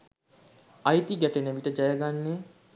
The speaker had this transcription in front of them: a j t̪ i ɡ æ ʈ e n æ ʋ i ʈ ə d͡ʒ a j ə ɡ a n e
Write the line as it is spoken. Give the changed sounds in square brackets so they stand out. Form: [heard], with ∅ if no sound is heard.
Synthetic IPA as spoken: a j t̪ i ɡ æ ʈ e n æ ʋ i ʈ ə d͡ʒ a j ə ɡ a [nː] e

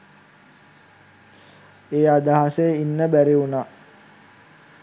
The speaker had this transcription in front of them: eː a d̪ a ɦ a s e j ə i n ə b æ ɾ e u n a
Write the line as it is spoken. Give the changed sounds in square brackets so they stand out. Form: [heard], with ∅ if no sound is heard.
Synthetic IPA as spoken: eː a d̪ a ɦ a s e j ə i [nː] ə b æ ɾ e u n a

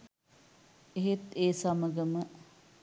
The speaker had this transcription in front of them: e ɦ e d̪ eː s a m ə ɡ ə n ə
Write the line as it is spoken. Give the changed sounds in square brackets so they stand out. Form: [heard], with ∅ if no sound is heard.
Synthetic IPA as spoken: e ɦ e [t̪] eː s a m ə ɡ ə [m] ə

